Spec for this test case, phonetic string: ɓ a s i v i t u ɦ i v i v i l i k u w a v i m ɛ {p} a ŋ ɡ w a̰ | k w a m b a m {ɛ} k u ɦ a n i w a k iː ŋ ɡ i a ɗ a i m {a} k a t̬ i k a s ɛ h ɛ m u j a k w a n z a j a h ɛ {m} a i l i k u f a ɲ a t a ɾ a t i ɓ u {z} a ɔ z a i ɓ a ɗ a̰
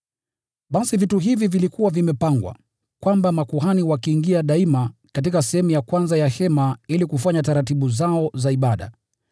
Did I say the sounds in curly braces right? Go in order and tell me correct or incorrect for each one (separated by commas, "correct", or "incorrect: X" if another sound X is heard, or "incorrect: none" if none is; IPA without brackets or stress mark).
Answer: correct, incorrect: a, correct, correct, correct